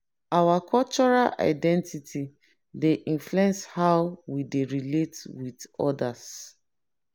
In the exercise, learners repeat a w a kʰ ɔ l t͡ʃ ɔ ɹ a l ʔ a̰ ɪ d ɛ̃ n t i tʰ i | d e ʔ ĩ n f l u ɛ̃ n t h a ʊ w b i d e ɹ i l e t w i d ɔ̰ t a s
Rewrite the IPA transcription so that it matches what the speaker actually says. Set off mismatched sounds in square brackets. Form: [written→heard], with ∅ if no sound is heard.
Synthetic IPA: a w a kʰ ɔ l t͡ʃ ɔ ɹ a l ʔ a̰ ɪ d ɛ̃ n t i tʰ i | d e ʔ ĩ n f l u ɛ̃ n [t→s] h a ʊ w [b→w] i d e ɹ i l e t w i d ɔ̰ [t→d] a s